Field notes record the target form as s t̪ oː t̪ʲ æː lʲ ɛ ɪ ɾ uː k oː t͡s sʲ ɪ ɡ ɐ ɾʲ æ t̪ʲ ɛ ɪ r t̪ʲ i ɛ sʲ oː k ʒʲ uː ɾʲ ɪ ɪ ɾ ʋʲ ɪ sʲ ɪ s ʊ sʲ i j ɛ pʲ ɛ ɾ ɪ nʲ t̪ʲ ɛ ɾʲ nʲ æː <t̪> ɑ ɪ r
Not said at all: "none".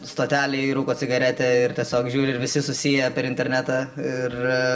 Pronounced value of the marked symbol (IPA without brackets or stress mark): t̪